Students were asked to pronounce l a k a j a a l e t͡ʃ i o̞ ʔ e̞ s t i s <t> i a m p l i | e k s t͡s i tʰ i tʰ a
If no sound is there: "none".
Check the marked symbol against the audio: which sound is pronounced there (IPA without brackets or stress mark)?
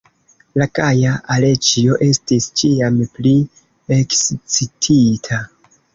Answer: t͡ʃ